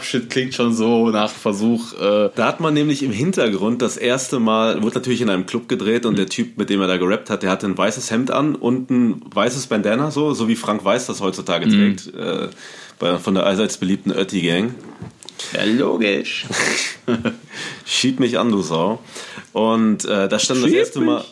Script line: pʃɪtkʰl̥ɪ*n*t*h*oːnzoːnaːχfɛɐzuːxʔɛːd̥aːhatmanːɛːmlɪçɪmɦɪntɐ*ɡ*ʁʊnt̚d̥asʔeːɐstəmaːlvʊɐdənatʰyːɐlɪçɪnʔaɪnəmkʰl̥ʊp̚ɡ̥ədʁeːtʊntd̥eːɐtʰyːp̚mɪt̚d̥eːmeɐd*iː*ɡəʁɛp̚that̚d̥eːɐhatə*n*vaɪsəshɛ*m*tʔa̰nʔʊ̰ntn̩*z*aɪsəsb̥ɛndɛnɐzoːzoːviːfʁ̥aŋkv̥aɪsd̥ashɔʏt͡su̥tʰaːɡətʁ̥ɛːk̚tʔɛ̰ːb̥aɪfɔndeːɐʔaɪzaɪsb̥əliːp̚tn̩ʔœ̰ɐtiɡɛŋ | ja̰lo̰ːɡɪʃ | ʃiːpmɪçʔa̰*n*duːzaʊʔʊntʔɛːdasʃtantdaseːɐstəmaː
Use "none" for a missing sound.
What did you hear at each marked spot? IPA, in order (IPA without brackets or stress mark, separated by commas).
ŋ, ʃ, ɡ, aː, n, m, v, n